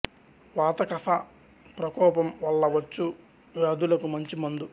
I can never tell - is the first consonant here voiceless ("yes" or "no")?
no